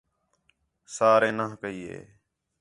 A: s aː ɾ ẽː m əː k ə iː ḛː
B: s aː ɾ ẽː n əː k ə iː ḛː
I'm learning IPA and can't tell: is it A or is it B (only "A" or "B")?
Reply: B